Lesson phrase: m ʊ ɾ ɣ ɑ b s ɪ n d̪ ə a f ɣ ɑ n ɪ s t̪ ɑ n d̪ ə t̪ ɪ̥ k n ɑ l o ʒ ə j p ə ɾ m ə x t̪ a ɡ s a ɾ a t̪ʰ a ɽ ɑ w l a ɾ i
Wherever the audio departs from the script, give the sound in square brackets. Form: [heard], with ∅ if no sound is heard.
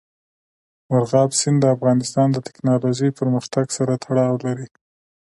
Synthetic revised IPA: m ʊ ɾ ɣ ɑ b s ɪ n d̪ ə a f ɣ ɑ n ɪ s t̪ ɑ n d̪ ə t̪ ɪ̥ k n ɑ l o ʒ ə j p ə ɾ m ə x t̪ a ɡ s a ɾ a t̪ʰ a ɽ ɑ w l a ɾ i